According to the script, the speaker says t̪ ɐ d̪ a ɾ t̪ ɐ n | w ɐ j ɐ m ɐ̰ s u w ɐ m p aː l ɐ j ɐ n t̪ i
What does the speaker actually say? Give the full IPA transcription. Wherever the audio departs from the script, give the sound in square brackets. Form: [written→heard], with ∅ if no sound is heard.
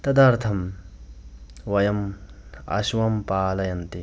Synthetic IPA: t̪ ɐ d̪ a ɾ [t̪→t̪ʰ] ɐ [n→m] | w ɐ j ɐ m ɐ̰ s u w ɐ m p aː l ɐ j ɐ n t̪ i